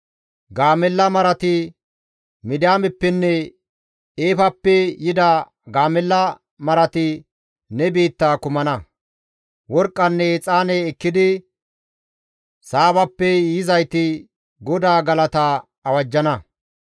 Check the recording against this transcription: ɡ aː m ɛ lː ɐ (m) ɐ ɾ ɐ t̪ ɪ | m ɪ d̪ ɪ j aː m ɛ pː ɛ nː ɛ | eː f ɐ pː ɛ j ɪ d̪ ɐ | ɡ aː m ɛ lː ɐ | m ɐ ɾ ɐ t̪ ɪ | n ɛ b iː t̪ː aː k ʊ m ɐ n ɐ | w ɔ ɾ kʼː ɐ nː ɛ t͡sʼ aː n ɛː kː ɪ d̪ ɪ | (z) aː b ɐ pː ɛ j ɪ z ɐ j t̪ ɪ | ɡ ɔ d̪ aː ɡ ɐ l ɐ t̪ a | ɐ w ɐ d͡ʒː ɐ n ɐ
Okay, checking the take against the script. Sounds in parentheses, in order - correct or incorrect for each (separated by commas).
correct, incorrect